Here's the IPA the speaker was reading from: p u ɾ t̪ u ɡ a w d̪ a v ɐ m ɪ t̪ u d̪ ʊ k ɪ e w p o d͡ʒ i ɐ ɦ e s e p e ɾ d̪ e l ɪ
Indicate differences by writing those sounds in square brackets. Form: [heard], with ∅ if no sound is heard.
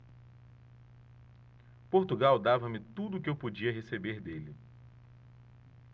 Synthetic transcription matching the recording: p [o] ɾ t̪ u ɡ a w d̪ a v ɐ m ɪ t̪ u d̪ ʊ k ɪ e w p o d͡ʒ i ɐ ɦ e s e [b] e ɾ d̪ e l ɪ